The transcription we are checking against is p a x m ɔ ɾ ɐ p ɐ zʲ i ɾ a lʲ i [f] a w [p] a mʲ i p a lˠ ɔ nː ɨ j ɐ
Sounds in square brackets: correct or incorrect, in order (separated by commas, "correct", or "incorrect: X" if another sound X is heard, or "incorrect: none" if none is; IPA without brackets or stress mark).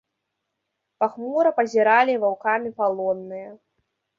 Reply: incorrect: v, incorrect: k